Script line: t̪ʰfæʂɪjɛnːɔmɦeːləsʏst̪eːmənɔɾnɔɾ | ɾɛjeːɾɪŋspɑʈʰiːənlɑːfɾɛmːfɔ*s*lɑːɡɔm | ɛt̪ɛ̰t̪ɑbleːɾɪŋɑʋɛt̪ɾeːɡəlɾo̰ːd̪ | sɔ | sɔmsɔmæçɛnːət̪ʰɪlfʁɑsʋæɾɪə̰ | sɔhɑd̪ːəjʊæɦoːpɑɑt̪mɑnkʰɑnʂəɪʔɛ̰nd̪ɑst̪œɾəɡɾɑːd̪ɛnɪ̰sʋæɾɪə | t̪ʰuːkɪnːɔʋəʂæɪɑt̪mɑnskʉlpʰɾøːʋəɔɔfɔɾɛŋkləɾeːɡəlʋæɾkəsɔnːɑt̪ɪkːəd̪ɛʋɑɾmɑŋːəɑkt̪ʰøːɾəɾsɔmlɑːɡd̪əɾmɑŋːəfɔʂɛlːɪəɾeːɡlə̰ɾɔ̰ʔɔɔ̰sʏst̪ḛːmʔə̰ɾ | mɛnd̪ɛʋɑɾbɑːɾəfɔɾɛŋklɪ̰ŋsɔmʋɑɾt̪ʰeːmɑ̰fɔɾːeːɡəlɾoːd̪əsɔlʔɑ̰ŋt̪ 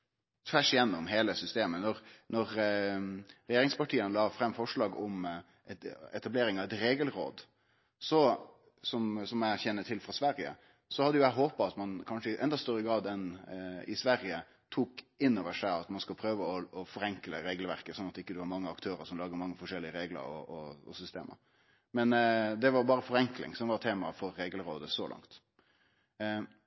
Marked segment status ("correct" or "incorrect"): incorrect